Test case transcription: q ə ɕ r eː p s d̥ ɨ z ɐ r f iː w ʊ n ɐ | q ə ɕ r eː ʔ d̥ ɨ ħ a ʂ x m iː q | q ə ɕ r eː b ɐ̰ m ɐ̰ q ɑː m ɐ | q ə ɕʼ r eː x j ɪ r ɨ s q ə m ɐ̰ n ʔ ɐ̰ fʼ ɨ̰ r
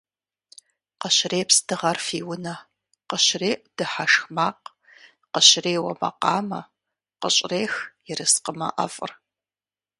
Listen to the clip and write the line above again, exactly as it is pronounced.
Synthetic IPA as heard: q ə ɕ r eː p s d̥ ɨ ʁ ɐ r f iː w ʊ n ɐ | q ə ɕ r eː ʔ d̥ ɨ ħ a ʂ x m aː q | q ə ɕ r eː w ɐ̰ m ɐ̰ q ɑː m ɐ | q ə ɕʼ r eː x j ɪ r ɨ s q ə m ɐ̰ ʔ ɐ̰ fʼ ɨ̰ r